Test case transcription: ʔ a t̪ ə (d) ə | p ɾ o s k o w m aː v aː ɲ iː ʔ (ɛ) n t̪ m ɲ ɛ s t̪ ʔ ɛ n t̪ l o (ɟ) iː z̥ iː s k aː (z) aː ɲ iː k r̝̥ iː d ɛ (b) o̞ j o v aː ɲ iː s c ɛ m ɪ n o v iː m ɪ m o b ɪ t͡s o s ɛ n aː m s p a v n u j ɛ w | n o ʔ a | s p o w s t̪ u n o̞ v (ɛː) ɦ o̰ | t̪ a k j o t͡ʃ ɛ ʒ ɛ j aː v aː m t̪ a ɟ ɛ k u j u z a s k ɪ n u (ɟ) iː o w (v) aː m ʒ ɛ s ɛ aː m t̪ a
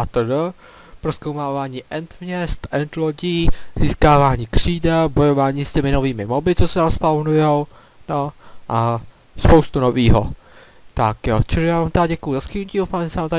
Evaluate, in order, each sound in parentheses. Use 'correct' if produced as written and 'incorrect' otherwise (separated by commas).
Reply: correct, correct, correct, incorrect, correct, incorrect, incorrect, incorrect